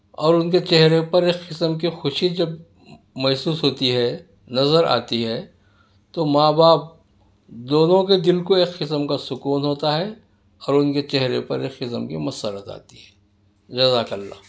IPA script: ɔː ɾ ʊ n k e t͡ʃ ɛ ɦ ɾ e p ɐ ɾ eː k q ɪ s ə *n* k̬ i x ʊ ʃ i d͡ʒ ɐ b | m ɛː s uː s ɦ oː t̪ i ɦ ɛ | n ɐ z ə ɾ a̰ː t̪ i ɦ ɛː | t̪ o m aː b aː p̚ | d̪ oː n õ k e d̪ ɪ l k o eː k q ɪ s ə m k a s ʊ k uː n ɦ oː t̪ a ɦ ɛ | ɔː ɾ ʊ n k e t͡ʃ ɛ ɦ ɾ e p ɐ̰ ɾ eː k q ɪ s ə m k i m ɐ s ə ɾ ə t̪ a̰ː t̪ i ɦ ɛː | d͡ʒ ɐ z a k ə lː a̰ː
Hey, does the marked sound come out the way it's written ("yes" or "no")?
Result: no